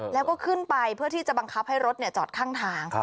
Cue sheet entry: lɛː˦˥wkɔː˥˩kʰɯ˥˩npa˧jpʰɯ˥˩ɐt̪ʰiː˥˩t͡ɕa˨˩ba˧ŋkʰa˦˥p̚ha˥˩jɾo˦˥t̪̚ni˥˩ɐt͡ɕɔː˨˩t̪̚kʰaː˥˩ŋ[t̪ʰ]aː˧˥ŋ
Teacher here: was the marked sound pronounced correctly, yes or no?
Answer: yes